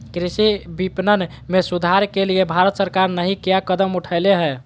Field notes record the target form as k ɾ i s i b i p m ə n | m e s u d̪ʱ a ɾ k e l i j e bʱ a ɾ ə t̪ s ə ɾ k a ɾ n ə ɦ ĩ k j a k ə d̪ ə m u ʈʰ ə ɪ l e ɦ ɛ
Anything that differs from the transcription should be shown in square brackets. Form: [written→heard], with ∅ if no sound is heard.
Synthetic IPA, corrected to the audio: k ɾ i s i b i p [m→n] ə n | m e s u d̪ʱ a ɾ k e l i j e bʱ a ɾ ə t̪ s ə ɾ k a ɾ n ə ɦ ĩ k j a k ə d̪ ə m u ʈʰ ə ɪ l e ɦ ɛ